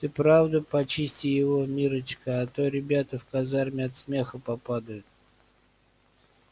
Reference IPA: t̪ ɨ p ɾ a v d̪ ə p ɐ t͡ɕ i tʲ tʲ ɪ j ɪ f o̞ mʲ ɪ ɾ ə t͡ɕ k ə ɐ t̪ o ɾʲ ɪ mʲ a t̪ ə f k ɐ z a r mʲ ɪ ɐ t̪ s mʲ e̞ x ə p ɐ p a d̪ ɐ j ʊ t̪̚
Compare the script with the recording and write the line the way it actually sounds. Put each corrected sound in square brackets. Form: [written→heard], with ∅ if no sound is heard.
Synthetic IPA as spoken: t̪ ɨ p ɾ a v d̪ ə p ɐ t͡ɕ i [tʲ→sʲ] tʲ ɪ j ɪ [f→v] o̞ mʲ [ɪ→i] ɾ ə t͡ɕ k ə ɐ t̪ o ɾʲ ɪ [mʲ→bʲ] a t̪ ə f k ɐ z a r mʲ ɪ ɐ t̪ s mʲ e̞ x ə p ɐ p a d̪ [ɐ→ə] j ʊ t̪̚